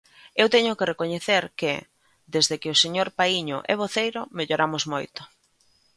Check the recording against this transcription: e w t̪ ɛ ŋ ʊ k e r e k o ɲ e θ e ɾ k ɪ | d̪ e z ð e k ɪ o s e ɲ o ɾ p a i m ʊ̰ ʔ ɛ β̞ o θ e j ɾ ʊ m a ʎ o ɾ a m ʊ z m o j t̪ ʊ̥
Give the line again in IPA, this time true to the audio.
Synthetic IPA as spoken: e w t̪ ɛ ɲ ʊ k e r e k o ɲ e θ e ɾ k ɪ | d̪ e z ð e k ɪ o s e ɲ o ɾ p a i ɲ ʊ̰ ʔ ɛ β̞ o θ e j ɾ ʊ m e ʎ o ɾ a m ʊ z m o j t̪ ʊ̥